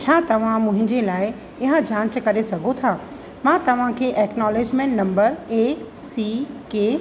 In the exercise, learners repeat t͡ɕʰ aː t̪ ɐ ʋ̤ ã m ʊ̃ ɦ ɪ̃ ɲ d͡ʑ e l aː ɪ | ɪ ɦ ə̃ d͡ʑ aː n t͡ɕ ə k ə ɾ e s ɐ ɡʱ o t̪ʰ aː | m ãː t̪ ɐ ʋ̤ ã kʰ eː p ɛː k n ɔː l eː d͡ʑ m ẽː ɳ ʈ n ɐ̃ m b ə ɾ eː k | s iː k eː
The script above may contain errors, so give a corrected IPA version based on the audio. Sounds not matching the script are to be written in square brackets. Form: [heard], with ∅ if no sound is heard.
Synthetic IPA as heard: t͡ɕʰ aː t̪ ɐ ʋ̤ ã m ʊ̃ ɦ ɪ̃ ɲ d͡ʑ e l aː ɪ | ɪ ɦ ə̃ d͡ʑ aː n t͡ɕ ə k [ɐ] ɾ e s ɐ ɡʱ o t̪ʰ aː | m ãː t̪ ɐ ʋ̤ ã kʰ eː [ʔ] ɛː k n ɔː l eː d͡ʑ m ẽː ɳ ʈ n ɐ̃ m b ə ɾ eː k | s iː k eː